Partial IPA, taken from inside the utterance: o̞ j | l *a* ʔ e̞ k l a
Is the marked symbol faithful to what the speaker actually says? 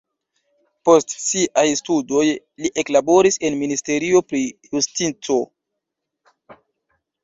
no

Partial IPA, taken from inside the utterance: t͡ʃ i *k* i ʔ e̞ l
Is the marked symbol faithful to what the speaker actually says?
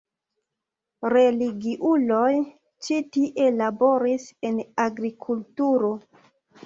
no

